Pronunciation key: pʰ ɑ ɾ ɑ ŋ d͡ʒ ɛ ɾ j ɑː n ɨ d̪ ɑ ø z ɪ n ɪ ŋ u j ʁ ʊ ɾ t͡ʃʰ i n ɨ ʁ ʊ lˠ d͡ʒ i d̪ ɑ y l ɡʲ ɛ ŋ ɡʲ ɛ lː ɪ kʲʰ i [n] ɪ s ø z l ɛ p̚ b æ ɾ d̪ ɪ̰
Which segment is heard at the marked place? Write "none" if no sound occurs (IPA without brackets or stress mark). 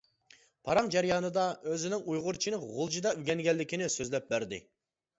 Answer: n